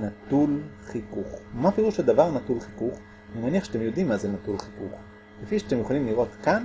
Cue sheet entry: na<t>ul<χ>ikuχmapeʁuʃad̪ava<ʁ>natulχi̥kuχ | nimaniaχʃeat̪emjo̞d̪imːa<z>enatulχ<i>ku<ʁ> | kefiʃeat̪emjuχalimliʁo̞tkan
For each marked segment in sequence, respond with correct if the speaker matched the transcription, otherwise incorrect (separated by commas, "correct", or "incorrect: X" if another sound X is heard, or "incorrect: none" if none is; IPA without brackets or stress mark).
correct, correct, correct, correct, correct, incorrect: χ